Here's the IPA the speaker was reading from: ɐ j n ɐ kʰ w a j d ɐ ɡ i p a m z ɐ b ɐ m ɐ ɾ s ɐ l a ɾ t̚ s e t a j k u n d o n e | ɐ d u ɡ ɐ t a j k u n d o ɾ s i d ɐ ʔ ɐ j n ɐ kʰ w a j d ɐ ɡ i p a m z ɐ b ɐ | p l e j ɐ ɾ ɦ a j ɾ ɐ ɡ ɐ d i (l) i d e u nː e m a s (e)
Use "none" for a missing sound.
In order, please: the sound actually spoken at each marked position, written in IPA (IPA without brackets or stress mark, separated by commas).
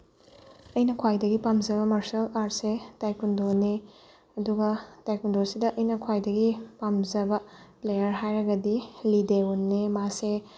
l, e